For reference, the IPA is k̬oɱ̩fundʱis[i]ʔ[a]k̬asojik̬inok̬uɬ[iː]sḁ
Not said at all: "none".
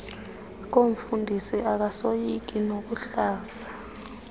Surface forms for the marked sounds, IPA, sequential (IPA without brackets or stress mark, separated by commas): i, a, aː